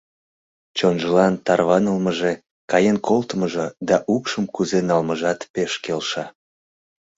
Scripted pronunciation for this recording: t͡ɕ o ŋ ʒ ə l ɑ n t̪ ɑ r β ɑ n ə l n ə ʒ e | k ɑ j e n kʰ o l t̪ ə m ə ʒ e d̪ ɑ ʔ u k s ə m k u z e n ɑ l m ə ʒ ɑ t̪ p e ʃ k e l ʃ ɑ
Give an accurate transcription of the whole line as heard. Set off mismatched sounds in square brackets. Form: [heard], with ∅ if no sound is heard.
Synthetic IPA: t͡ɕ o [n] ʒ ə l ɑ n t̪ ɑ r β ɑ n ə l [m] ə ʒ e | k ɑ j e n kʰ o l t̪ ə m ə ʒ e d̪ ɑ ʔ u k [ʃ] ə m k u z e n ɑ l m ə ʒ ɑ t̪ p e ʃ k e l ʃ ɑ